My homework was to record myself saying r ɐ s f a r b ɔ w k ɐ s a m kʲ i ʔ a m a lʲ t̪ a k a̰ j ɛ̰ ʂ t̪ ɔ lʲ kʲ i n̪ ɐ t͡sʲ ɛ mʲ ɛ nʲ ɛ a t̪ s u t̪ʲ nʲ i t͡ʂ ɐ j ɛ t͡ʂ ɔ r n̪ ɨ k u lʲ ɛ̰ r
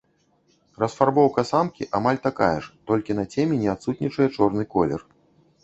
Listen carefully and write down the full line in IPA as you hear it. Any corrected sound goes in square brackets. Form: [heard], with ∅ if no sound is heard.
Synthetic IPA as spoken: r ɐ s f a r b ɔ w k ɐ s a m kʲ i ʔ a m a lʲ t̪ a k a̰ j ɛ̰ ʂ t̪ ɔ lʲ kʲ i n̪ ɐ t͡sʲ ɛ mʲ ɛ nʲ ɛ a t̪ s u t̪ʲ nʲ i t͡ʂ ɐ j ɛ t͡ʂ ɔ r n̪ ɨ k [ɔ] lʲ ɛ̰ r